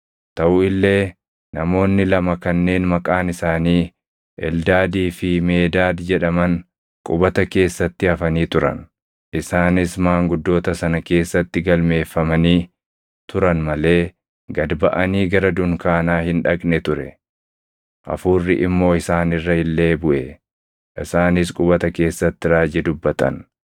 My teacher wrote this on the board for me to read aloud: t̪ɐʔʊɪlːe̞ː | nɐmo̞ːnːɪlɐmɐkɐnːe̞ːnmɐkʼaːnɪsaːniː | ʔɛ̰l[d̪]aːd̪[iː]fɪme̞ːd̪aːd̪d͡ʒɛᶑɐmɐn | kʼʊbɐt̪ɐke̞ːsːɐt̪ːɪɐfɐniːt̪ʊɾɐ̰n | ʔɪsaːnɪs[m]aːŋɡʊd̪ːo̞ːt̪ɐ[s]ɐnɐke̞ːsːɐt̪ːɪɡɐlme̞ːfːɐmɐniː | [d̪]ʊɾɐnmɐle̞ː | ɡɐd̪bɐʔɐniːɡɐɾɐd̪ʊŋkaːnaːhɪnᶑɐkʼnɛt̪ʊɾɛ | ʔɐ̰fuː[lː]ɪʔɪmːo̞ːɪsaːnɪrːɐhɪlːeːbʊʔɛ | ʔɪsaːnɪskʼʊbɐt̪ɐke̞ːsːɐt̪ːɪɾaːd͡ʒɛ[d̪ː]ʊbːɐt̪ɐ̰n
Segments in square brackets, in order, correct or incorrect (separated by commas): correct, correct, correct, correct, incorrect, incorrect, incorrect